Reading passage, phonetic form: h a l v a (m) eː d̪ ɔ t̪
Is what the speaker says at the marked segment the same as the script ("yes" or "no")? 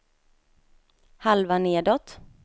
no